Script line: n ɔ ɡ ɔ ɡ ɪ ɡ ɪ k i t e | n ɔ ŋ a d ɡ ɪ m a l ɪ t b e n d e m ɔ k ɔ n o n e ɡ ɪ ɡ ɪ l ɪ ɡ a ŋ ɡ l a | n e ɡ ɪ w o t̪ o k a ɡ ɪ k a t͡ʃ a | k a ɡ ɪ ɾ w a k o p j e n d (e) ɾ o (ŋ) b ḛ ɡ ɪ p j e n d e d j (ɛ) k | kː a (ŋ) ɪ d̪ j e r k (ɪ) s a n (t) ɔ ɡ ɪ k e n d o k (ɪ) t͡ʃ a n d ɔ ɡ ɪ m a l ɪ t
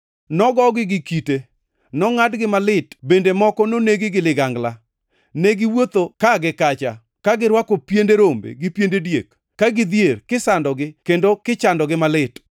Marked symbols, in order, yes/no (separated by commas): yes, no, no, no, yes, no, yes